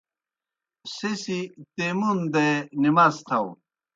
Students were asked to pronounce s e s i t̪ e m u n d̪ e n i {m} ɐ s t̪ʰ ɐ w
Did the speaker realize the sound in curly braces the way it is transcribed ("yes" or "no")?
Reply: yes